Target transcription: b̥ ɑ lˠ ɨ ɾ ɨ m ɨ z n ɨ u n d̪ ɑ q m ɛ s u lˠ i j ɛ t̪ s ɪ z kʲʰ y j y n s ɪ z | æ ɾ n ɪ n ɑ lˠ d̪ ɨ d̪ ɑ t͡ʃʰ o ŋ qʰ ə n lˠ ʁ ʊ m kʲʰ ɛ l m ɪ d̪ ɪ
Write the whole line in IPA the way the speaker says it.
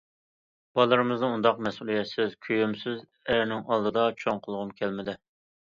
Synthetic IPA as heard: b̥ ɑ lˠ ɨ ɾ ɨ m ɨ z n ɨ u n d̪ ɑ q m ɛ s u lˠ i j ɛ t̪ s ɪ z kʲʰ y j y m s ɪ z | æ ɾ n ɪ ŋ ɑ lˠ d̪ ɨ d̪ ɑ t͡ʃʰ o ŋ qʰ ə lˠ ʁ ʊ m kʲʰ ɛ l m ɪ d̪ ɪ

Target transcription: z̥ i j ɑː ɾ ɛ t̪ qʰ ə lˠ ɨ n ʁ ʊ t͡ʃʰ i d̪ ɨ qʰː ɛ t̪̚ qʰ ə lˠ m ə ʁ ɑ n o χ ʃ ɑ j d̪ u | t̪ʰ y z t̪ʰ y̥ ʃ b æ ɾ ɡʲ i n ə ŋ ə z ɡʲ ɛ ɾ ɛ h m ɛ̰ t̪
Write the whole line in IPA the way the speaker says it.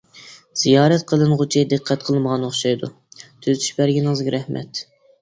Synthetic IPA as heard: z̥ i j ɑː ɾ ɛ t̪ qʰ ə lˠ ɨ n ʁ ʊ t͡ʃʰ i d̪ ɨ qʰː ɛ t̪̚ qʰ ə lˠ m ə ʁ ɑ n o χ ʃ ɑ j d̪ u | t̪ʰ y z t̪ʰ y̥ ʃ b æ ɾ ɡʲ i n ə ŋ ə z ɡʲ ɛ ɾ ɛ h m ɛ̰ t̪

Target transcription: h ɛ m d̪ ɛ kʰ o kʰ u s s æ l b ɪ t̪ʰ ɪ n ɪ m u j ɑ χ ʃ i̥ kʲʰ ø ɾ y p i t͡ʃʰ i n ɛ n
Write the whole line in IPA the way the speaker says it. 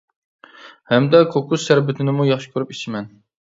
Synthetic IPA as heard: h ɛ m d̪ ɛ kʰ o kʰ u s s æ ɾ b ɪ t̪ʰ ɪ n ɪ m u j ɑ χ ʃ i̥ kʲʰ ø ɾ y p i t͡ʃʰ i m ɛ n

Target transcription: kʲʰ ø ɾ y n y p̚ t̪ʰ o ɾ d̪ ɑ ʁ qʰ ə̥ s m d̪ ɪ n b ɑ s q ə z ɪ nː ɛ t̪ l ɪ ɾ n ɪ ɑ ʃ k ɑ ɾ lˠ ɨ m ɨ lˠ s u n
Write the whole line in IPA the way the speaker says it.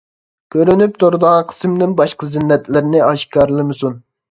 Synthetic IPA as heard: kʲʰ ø ɾ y n y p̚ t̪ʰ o ɾ d̪ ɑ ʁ qʰ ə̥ s m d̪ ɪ n b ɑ ʃ q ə z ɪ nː ɛ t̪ l ɪ ɾ n ɪ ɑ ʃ k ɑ ɾ lˠ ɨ m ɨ s u n

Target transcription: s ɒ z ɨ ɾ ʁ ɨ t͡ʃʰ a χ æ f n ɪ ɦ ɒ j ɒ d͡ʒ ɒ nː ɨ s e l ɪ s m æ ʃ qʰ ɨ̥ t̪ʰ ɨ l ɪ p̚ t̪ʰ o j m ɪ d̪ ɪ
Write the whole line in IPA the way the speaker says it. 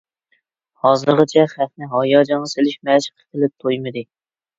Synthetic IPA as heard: h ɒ z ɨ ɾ ʁ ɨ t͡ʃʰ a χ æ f n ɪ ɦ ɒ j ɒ d͡ʒ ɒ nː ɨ s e l ɪ ʃ m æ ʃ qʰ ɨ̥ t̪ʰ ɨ l ɪ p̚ t̪ʰ o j m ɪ d̪ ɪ

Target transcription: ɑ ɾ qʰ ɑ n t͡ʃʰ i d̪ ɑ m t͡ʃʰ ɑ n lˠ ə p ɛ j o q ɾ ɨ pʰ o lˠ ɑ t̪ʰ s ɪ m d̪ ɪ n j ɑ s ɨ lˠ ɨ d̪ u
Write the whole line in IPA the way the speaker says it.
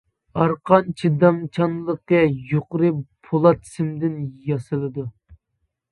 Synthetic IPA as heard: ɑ ɾ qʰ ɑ n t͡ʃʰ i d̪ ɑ m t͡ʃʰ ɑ n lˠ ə q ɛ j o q ɾ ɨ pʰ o lˠ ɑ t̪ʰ s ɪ m d̪ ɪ n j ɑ s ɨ lˠ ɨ d̪ u

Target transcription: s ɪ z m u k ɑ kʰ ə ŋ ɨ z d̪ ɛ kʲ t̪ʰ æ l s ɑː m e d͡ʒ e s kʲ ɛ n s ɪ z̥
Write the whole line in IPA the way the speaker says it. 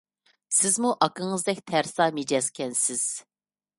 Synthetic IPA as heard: s ɪ z m u ʔ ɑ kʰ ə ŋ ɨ z d̪ ɛ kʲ t̪ʰ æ ɾ s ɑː m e d͡ʒ ɛ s kʲ ɛ n s ɪ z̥

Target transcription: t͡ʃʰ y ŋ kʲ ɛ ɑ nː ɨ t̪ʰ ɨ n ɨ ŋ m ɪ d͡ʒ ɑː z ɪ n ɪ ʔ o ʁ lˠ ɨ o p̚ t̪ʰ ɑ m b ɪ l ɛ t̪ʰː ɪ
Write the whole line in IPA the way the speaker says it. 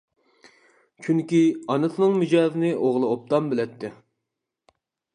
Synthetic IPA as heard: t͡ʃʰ y ŋ kʲ i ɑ n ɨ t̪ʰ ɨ n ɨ ŋ m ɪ d͡ʒ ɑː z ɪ n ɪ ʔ o ʁ lˠ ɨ o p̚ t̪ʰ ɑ m b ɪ l ɛ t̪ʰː ɪ

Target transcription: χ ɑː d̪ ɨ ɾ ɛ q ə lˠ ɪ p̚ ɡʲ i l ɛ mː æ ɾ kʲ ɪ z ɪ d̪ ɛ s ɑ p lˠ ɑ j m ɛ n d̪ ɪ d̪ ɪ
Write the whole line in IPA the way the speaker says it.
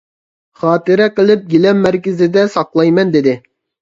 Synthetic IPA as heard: χ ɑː t̪ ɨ ɾ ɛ q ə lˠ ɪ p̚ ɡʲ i l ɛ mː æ ɾ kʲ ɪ z ɪ d̪ ɛ s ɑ q lˠ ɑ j m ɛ n d̪ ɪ d̪ ɪ

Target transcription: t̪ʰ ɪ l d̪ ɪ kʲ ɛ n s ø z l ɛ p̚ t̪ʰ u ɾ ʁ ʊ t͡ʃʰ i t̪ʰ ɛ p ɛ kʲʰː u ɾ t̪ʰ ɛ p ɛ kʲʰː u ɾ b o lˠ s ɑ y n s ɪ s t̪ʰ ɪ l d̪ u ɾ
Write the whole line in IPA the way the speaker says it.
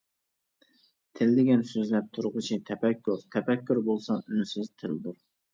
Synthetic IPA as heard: t̪ʰ ɪ l d̪ ɪ ɡʲ ɛ n s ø z l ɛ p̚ t̪ʰ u ɾ ʁ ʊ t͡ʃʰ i t̪ʰ ɛ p ɛ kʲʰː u ɾ t̪ʰ ɛ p ɛ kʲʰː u ɾ b o lˠ s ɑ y n s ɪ z t̪ʰ ɪ l d̪ u ɾ

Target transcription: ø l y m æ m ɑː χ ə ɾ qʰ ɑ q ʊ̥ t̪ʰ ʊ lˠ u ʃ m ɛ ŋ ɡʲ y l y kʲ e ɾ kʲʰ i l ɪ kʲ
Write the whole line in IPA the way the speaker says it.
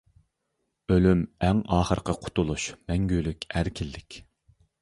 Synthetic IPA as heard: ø l y m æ ŋ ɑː χ ə ɾ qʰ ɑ qʰ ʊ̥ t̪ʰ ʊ lˠ u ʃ m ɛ ŋ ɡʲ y l y kʲ æ ɾ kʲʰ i lː ɪ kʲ

